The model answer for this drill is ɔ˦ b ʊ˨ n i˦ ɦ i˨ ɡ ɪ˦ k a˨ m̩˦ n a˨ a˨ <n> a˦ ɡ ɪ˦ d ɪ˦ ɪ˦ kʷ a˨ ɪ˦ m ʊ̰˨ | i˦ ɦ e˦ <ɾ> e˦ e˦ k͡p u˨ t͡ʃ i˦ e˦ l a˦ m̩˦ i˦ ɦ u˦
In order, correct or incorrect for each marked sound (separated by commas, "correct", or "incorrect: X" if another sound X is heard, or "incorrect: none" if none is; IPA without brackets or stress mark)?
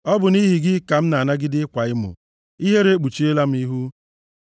correct, correct